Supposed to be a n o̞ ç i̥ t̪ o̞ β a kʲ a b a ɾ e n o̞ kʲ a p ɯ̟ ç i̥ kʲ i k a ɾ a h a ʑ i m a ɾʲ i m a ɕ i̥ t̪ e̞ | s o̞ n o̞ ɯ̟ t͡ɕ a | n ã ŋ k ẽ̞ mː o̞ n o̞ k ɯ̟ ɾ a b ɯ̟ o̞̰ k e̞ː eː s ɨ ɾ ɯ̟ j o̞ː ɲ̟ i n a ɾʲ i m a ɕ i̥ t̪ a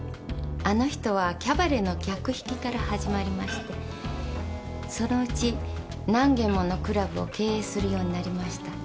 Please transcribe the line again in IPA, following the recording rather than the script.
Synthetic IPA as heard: a n o̞ ç i̥ t̪ o̞ β a kʲ a b a ɾ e n o̞ kʲ a k ɯ̟ ç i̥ kʲ i k a ɾ a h a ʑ i m a ɾʲ i m a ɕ i̥ t̪ e̞ | s o̞ n o̞ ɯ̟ t͡ɕ i | n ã ŋ ɡ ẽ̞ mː o̞ n o̞ k ɯ̟ ɾ a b ɯ̟ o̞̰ k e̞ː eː s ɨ ɾ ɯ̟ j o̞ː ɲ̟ i n a ɾʲ i m a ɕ i̥ t̪ a